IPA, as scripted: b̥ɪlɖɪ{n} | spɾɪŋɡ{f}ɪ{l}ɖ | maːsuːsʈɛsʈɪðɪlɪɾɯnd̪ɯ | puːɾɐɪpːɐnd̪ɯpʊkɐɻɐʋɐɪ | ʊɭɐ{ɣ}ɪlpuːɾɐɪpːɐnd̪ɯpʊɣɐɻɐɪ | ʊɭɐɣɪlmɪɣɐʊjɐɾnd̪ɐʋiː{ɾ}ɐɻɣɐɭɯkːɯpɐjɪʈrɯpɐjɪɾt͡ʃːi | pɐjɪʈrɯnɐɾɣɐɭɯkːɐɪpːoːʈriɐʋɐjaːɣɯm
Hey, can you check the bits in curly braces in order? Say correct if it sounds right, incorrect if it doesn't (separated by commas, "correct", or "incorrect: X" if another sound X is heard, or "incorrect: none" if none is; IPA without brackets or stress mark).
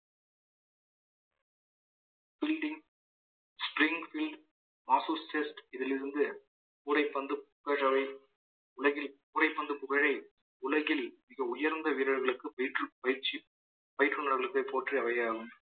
incorrect: ŋ, correct, correct, correct, correct